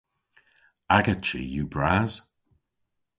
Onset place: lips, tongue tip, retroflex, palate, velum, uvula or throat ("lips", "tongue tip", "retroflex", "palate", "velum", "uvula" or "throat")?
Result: velum